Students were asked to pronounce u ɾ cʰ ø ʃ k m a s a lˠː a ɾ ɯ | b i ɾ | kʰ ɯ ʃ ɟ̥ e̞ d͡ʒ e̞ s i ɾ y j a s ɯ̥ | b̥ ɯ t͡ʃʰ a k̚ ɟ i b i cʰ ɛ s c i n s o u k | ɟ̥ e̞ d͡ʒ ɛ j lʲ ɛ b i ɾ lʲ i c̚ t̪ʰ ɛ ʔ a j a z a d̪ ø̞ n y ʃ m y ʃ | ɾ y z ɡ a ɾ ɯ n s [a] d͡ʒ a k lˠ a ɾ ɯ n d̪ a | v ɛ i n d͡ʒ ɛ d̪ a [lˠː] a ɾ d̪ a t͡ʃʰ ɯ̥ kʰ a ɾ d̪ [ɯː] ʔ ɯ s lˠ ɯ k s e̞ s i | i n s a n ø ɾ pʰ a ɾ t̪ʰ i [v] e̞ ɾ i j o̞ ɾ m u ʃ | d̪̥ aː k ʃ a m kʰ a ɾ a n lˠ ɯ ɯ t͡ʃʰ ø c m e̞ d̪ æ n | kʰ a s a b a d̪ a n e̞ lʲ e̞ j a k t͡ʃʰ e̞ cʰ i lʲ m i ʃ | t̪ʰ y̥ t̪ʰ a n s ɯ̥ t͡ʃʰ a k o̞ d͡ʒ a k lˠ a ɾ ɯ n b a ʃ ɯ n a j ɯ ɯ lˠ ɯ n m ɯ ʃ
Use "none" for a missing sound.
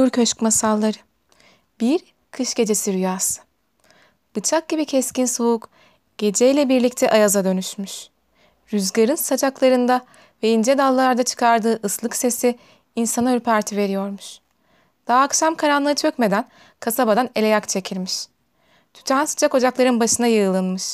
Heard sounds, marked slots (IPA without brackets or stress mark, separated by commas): a, lˠː, ɯː, v